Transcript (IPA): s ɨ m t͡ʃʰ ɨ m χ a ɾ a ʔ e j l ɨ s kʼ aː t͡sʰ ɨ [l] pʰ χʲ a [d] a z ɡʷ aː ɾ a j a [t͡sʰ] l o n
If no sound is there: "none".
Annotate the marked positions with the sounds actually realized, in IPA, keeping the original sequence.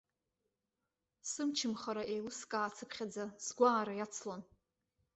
none, d͡z, t͡sʰ

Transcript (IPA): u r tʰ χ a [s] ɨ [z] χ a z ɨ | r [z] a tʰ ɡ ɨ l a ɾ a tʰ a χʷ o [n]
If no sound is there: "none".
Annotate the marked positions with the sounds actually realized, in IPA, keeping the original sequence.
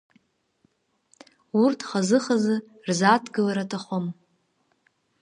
z, none, z, m

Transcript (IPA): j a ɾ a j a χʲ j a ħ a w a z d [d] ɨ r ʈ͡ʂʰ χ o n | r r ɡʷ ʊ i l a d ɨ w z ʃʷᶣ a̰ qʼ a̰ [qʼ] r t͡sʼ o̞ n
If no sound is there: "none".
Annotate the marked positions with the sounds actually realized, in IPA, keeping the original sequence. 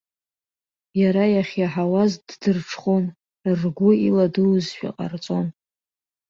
d, none

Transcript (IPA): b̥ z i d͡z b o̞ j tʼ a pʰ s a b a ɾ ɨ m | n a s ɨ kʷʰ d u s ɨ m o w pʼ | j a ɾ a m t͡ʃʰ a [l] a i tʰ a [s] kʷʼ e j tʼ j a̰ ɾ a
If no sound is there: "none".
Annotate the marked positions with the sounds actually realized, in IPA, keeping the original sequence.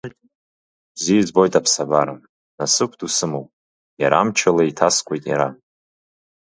l, s

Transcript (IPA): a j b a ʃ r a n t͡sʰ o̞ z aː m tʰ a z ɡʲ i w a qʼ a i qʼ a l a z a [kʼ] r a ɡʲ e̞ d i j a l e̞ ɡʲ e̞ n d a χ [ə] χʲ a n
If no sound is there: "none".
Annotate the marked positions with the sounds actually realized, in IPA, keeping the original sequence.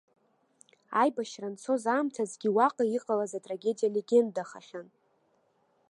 tʼ, a

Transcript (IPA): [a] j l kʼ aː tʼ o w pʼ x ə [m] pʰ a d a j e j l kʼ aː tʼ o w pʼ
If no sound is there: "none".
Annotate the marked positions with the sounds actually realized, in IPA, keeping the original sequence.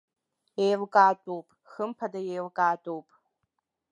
e, m

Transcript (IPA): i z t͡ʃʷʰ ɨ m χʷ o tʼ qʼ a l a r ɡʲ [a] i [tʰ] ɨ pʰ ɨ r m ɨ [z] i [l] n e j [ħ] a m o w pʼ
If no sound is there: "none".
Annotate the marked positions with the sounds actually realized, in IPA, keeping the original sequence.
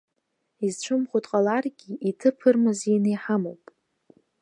i, tʰ, z, none, ħ

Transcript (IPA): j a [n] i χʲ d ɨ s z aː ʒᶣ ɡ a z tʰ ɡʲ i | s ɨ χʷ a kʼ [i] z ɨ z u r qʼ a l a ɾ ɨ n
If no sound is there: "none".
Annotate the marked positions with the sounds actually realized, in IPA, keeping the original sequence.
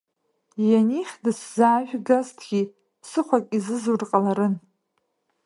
n, i

